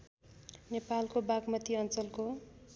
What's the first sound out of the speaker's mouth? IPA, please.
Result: n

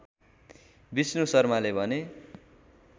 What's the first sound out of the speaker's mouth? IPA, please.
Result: b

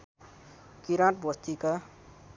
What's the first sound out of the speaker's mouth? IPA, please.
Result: k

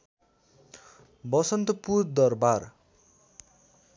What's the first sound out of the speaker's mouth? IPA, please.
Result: b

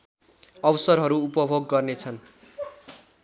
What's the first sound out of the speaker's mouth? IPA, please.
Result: ʌ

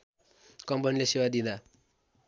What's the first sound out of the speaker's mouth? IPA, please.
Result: k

